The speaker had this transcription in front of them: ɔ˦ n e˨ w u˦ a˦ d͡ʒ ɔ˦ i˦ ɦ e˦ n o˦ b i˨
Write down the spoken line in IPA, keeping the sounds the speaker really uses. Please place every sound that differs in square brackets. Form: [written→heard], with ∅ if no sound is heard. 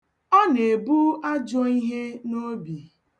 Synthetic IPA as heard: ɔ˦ n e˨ [w→b] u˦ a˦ d͡ʒ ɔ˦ i˦ ɦ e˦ n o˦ b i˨